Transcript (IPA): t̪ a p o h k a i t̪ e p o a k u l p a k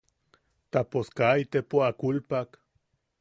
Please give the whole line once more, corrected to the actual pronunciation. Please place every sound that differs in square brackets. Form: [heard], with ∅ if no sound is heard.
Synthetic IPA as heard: t̪ a p o [s] k a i t̪ e p o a k u l p a k